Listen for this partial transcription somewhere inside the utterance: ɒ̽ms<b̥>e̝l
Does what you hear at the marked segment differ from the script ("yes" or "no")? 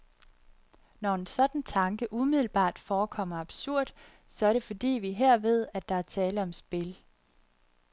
no